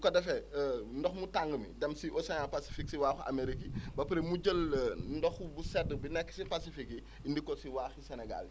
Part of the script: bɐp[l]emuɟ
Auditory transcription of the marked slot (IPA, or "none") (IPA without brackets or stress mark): ɾ